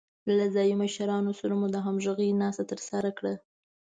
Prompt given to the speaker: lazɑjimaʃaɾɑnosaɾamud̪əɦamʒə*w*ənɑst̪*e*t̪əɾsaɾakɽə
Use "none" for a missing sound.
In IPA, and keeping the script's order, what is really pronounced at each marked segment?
ɣ, a

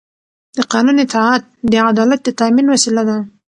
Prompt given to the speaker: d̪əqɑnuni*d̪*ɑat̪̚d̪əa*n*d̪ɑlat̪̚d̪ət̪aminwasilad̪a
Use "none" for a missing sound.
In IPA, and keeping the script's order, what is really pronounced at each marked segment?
t̪, none

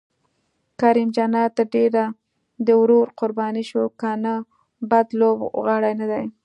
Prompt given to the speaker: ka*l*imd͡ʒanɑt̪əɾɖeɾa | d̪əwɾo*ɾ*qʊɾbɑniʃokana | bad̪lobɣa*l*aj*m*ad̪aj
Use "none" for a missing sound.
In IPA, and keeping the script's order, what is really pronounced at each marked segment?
ɾ, ɾ, ɽ, n

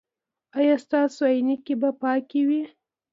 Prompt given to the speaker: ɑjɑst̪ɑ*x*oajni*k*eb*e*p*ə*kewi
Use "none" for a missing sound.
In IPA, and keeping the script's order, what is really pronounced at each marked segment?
s, k, a, ɑ

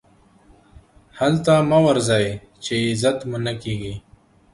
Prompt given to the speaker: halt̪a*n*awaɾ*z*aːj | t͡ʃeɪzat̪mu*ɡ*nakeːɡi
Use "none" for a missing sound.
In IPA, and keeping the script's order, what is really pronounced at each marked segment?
m, z, none

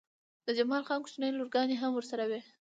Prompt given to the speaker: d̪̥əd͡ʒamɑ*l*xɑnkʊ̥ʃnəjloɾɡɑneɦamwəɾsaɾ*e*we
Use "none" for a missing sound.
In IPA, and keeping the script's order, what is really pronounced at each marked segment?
l, a

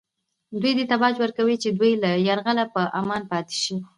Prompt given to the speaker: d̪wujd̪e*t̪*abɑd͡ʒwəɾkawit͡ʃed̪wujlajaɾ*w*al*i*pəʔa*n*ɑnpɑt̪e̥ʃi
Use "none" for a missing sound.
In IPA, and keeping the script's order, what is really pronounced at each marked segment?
t̪, ɣ, a, m

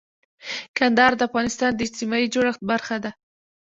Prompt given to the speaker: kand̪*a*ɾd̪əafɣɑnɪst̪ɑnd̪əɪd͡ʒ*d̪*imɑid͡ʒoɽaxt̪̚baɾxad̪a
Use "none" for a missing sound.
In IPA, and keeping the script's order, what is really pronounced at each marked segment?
ɑ, t̪

